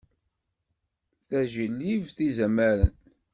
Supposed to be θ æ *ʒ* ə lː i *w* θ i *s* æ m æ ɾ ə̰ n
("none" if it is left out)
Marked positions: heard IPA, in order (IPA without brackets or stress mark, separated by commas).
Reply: ʒ, v, z